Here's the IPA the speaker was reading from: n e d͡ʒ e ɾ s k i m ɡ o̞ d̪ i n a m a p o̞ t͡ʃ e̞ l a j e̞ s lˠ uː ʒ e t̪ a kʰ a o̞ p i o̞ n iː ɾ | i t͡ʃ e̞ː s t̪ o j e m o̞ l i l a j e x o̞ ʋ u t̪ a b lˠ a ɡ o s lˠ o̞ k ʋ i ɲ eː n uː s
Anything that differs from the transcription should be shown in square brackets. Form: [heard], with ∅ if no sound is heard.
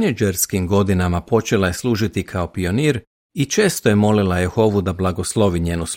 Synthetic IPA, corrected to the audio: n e d͡ʒ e ɾ s k i m ɡ o̞ d̪ i n a m a p o̞ t͡ʃ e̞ l a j e̞ s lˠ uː ʒ [i] t̪ [i] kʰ a o̞ p i o̞ n iː ɾ | i t͡ʃ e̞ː s t̪ o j e m o̞ l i l a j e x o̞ ʋ u [d̪] a b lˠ a ɡ o s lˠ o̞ [∅] ʋ i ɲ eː n [u] s